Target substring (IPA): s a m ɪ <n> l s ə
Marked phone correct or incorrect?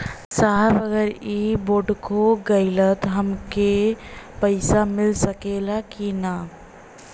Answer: incorrect